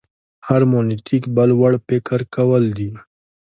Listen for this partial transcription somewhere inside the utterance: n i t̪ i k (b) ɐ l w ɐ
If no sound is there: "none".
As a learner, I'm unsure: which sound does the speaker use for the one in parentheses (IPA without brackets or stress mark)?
b